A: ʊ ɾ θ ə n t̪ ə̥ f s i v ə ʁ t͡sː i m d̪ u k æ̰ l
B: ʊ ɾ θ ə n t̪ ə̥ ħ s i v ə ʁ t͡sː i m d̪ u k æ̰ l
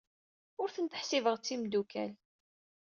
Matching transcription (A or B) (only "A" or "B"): B